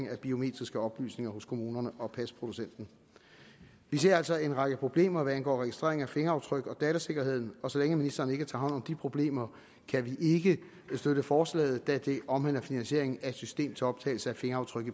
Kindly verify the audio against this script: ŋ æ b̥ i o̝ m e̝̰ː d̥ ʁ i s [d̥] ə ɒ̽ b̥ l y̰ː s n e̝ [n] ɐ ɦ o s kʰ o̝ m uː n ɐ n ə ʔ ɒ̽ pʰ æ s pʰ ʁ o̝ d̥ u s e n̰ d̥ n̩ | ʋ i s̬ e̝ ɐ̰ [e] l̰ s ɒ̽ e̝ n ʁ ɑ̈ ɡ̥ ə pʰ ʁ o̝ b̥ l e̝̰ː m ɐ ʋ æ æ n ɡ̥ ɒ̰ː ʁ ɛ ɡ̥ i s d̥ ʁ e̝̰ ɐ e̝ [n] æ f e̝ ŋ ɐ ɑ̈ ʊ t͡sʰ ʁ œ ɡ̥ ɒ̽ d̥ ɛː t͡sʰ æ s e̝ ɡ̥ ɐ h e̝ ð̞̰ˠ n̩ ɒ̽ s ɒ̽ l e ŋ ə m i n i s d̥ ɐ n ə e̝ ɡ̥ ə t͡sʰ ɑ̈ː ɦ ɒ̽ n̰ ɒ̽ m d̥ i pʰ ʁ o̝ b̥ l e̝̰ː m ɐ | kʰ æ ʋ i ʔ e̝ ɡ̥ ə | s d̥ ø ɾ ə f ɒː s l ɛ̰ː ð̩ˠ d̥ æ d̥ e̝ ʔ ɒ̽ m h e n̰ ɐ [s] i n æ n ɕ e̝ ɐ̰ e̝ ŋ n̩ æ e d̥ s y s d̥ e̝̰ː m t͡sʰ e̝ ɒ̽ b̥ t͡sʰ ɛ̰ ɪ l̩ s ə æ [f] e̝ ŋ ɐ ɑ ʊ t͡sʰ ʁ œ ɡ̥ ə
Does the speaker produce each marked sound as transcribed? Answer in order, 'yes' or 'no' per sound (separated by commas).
no, no, no, no, no, yes